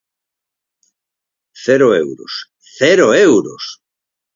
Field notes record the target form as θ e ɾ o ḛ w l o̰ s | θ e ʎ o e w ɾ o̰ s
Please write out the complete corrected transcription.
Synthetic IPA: θ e ɾ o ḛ w ɾ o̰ s | θ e ɾ o e w ɾ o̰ s